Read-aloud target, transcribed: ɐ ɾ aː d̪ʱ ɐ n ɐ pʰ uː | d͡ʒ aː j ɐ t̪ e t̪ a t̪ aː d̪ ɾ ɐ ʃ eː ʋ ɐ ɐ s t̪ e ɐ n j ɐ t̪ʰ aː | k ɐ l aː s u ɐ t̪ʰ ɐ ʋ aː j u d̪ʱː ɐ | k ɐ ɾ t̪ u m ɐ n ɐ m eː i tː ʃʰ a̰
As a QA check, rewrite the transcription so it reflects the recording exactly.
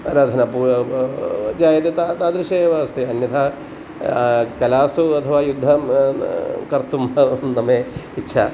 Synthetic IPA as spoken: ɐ ɾ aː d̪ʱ ɐ n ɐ p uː | d͡ʒ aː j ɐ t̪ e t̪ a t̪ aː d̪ ɾ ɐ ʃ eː ʋ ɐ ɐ s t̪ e ɐ n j ɐ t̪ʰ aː | k ɐ l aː s u ɐ t̪ʰ ɐ ʋ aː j u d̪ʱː ɐ | k ɐ ɾ t̪ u m ɐ n ɐ m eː i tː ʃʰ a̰